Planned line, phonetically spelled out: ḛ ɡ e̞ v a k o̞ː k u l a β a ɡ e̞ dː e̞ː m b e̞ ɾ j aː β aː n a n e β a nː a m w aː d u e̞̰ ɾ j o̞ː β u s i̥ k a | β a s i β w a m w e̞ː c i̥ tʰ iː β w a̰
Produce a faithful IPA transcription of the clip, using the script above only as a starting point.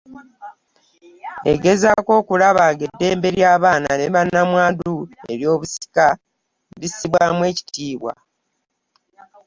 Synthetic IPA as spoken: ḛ ɡ e̞ z a k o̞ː k u l a β a ɡ e̞ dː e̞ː m b e̞ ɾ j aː β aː n a n e β a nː a m w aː d u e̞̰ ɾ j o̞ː β u s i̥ k a | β i s i β w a m w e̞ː c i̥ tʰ iː β w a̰